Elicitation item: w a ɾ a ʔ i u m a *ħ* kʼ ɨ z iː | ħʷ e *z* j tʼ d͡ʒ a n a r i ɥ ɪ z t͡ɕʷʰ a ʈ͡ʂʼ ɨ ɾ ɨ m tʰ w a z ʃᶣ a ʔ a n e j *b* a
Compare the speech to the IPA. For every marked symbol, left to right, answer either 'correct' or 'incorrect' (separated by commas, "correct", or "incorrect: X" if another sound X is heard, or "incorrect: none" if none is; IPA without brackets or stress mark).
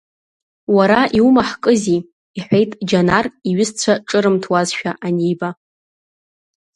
correct, incorrect: none, correct